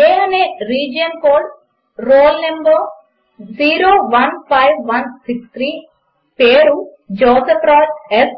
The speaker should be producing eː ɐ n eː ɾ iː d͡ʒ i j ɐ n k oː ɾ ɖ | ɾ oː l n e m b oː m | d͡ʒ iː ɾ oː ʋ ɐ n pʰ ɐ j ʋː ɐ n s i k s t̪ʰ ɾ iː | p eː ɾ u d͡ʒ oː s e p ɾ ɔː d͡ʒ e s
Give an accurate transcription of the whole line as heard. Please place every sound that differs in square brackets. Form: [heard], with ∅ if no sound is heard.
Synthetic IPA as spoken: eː ɐ n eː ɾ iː d͡ʒ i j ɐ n k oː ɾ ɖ | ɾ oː l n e m b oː [∅] | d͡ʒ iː ɾ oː ʋ ɐ n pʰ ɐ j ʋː ɐ n s i k s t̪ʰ ɾ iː | p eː ɾ u d͡ʒ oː s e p ɾ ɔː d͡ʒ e s